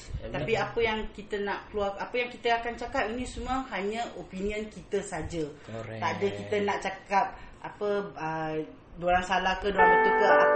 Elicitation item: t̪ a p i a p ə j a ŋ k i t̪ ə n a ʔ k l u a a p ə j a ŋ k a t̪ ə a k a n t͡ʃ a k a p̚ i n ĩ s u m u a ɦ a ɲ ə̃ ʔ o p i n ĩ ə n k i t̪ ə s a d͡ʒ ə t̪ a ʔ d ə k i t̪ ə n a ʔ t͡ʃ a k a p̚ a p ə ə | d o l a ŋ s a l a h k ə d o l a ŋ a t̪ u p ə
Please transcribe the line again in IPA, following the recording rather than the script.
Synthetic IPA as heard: t̪ a p i a p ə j a ŋ k i t̪ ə n a ʔ k l u a a p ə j a ŋ k i t̪ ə a k a n t͡ʃ a k a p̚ i n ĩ s u m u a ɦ a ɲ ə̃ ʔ o p i n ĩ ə n k i t̪ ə s a d͡ʒ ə t̪ a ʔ d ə k i t̪ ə n a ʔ t͡ʃ a k a p̚ a p ə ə | d o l a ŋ s a l a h k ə d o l a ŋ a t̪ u k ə